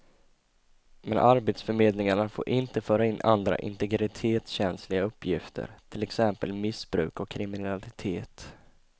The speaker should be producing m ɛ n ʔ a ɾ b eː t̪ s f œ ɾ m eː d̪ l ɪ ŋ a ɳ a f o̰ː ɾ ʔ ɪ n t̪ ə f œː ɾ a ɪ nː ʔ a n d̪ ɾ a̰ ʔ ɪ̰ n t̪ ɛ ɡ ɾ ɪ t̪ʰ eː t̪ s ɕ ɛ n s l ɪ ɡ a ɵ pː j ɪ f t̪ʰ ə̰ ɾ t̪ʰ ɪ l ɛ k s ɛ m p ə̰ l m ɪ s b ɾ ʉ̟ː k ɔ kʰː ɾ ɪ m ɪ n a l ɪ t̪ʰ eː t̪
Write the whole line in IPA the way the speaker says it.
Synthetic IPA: m ɛ n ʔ a ɾ b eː t̪ s f œ ɾ m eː d̪ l ɪ ŋ a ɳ a f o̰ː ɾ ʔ ɪ n t̪ ə f œː ɾ a ɪ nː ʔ a n d̪ ɾ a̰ ʔ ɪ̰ n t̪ ɛ ɡ ɾ ɪ t̪ʰ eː t̪ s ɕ ɛ n s l ɪ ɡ a ɵ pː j ɪ f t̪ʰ ə̰ ɾ t̪ʰ ɪ l ɛ k s ɛ m p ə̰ l m ɪ s b ɾ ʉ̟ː k ɔ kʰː ɾ ɪ m ɪ n a l ɪ t̪ʰ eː t̪